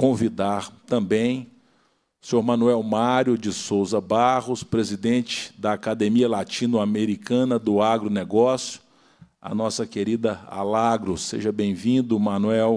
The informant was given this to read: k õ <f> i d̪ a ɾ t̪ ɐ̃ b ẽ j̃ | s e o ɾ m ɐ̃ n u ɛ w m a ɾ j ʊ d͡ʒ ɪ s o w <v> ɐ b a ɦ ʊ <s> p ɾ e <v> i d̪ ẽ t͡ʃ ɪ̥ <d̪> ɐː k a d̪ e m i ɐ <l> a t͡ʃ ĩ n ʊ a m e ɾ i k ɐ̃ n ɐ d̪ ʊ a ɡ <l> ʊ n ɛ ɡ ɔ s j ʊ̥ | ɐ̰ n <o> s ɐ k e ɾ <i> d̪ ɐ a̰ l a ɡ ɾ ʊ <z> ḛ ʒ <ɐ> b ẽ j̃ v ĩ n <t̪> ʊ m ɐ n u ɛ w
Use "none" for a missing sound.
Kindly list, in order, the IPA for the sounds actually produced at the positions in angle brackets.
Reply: v, z, s, z, d̪, l, ɾ, ɔ, i, s, ɐ, d̪

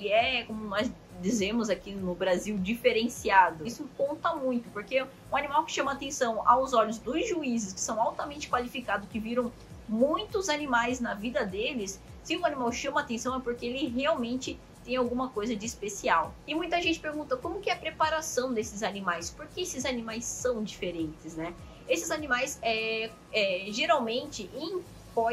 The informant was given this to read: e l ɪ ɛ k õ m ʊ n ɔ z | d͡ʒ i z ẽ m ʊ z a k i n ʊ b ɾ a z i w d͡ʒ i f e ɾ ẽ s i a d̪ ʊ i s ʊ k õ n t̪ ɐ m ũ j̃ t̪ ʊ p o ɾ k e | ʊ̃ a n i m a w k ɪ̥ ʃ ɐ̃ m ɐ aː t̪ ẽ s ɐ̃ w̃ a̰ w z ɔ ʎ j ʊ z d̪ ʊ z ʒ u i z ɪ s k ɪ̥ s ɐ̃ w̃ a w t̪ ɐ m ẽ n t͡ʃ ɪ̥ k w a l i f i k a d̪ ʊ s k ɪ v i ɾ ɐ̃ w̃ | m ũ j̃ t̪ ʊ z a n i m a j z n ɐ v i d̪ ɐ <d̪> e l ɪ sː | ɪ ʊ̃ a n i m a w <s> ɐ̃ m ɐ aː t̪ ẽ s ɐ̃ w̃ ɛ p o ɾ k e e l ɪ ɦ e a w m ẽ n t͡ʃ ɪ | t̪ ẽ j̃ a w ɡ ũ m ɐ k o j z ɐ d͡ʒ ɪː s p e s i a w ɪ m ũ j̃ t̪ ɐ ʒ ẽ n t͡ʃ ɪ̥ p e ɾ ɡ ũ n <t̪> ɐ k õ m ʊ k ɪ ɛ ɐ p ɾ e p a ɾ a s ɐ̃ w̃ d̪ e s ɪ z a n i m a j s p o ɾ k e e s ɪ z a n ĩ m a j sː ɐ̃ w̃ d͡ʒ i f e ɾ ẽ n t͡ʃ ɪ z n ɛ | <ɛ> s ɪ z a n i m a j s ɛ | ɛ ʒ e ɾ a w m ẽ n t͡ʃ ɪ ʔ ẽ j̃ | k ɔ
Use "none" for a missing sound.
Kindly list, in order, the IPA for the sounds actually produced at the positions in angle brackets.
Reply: d̪, ʃ, t̪, e

